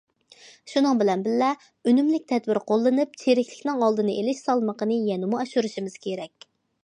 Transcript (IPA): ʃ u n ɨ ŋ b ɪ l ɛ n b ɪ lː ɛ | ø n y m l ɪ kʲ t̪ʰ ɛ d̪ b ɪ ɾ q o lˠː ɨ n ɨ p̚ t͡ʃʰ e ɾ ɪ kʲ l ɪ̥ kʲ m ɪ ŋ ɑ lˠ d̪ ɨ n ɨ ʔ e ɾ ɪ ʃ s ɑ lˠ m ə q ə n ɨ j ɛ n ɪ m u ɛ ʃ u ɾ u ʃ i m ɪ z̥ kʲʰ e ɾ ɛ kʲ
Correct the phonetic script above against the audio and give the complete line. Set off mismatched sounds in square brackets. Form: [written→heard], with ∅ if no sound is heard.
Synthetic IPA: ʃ u n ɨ ŋ b ɪ l ɛ n b ɪ lː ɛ | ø n y m l ɪ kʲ t̪ʰ ɛ d̪ b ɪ ɾ q o lˠː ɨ n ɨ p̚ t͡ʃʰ e ɾ ɪ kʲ l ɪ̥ kʲ [m→n] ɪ ŋ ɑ lˠ d̪ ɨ n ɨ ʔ e [ɾ→l] ɪ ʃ s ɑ lˠ m ə q ə n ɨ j ɛ n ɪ m u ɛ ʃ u ɾ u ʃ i m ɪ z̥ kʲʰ e ɾ ɛ kʲ